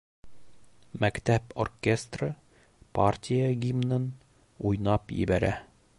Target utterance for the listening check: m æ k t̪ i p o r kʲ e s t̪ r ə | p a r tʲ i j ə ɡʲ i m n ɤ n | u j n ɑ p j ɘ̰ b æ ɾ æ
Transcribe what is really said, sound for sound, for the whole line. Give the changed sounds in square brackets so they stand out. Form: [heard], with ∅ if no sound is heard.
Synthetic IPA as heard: m æ k t̪ [æ] p o r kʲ e s t̪ r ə | p a r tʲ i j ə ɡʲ i m n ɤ n | u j n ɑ p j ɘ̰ b æ ɾ æ